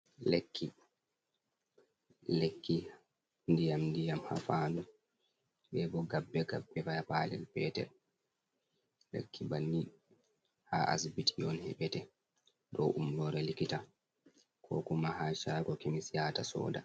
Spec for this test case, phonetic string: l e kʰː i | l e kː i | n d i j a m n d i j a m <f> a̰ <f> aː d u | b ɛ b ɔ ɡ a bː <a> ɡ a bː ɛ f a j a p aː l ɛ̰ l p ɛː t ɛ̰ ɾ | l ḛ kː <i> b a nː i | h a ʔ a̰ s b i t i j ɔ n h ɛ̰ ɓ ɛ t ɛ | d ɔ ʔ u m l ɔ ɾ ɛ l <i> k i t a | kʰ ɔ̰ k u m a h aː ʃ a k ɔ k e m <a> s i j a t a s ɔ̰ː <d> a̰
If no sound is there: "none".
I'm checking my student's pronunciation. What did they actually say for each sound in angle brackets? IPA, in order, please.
h, f, ɛ, i, i, i, d

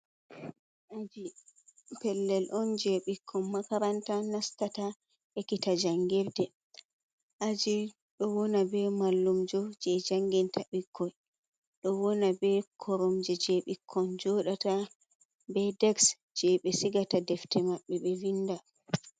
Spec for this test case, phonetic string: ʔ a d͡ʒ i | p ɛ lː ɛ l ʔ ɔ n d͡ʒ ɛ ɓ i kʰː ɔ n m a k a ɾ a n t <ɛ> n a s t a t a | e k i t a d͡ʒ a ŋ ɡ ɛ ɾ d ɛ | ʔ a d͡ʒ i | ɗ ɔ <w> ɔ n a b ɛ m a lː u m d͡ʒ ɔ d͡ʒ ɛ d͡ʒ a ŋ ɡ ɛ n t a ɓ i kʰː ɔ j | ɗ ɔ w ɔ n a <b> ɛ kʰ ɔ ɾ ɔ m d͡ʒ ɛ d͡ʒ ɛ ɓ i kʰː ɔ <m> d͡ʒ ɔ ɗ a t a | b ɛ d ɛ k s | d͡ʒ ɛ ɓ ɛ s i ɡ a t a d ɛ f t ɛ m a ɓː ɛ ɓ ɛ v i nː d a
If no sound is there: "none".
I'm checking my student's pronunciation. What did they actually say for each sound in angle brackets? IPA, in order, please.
a, w, b, n

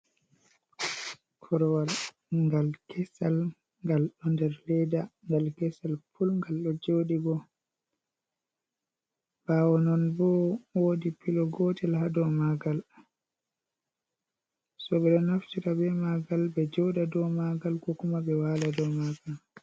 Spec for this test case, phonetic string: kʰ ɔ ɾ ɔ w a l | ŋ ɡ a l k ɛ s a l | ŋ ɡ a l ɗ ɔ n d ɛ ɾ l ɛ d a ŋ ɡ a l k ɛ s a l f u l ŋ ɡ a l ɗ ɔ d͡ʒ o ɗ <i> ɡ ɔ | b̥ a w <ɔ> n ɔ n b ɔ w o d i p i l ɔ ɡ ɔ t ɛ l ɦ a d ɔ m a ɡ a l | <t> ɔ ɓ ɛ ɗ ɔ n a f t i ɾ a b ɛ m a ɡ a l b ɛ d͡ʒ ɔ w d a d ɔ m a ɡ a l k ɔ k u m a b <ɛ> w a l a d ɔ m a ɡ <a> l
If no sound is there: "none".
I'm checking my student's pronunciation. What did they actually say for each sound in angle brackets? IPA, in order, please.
i, ɔ, s, ɛ, a

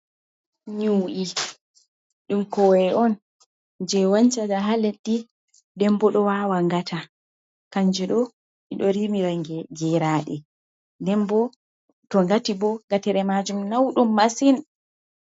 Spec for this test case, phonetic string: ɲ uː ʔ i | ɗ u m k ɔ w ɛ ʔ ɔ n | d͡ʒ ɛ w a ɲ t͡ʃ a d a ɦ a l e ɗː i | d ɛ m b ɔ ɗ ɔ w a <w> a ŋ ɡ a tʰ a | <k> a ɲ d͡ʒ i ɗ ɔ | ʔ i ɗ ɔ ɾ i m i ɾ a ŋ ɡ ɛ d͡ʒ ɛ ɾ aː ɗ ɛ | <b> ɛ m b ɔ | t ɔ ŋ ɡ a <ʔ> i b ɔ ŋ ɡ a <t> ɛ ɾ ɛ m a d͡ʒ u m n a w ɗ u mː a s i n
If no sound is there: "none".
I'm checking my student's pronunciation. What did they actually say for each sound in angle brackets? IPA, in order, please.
w, k, d, t, t

